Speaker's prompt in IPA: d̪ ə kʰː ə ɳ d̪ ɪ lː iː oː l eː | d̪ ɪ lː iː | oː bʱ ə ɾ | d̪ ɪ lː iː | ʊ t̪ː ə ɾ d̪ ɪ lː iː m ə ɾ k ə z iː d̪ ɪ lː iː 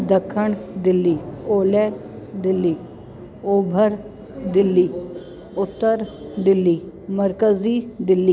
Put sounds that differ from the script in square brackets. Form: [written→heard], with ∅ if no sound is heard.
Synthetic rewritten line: d̪ ə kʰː ə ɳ d̪ ɪ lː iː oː l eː | d̪ ɪ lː iː | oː bʱ ə ɾ | d̪ ɪ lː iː | ʊ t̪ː ə ɾ d̪ ɪ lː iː m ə ɾ k ə z iː d̪ ɪ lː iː